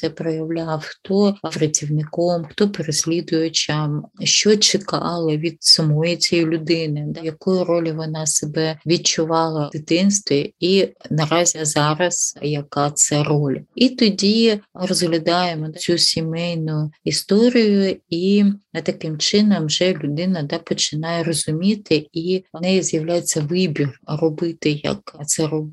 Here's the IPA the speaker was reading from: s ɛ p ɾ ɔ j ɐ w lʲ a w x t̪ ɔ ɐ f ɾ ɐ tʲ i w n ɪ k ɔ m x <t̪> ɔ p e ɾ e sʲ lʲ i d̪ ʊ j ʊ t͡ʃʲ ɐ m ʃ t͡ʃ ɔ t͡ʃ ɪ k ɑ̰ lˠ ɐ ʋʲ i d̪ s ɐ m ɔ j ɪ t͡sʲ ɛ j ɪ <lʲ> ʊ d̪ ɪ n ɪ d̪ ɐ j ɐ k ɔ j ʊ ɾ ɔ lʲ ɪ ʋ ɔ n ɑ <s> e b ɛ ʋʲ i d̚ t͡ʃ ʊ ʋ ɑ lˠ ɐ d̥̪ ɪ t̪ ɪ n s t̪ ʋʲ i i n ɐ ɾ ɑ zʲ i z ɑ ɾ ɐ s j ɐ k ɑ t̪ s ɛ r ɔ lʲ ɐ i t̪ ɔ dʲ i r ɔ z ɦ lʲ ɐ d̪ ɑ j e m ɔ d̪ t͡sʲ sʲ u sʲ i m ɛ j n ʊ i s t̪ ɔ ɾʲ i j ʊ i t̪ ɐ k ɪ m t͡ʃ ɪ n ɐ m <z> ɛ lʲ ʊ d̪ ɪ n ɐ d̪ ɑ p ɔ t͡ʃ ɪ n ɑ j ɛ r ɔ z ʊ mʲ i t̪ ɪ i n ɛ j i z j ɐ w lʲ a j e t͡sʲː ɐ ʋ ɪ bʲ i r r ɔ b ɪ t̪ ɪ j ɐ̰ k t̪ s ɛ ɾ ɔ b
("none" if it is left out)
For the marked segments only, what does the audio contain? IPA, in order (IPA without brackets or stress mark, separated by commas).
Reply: t̪, lʲ, s, ʒ